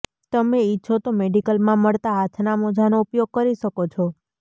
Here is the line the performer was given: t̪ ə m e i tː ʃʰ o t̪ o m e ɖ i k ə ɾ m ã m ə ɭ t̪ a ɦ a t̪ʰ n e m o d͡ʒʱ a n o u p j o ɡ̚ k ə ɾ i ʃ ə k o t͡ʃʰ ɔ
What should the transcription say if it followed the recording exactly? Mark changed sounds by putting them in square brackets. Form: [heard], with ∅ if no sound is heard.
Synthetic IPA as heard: t̪ ə m e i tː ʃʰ o t̪ o m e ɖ i k ə [l] m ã m ə ɭ t̪ a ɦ a t̪ʰ n [a] m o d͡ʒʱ a n o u p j o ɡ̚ k ə ɾ i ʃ ə k o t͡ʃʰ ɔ